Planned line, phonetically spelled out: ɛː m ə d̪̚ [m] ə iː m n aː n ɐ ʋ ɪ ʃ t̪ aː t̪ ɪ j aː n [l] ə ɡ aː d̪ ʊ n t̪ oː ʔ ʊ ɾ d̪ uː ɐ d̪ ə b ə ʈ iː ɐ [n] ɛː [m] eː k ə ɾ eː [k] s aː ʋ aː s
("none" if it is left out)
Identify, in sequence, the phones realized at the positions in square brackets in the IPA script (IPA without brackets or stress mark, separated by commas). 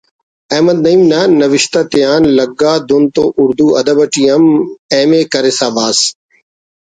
n, l, m, m, none